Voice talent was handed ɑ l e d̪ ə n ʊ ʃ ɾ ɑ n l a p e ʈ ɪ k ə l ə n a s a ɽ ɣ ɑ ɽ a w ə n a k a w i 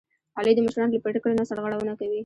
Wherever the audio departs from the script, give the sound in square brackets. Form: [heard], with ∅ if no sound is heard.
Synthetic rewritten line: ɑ l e d̪ ə [m] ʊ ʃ ɾ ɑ n l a p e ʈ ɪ k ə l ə n a s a ɽ ɣ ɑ ɽ a w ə n a k a w i